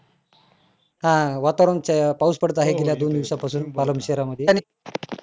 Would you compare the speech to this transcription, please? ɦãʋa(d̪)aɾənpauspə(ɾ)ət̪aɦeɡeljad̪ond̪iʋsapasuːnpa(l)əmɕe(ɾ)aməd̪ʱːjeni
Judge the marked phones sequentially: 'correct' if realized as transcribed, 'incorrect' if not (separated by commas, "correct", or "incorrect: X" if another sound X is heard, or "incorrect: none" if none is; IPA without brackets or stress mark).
incorrect: t̪, incorrect: ɽ, correct, correct